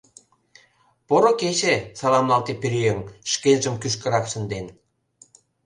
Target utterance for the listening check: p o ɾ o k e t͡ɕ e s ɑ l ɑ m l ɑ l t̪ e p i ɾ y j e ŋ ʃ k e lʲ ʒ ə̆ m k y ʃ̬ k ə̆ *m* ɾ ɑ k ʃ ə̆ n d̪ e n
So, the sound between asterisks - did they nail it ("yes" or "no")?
no